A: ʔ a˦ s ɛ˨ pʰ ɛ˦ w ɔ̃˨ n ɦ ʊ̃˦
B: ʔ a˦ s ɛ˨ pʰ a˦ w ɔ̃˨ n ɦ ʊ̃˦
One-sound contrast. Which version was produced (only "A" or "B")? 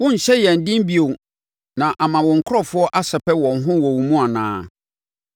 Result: A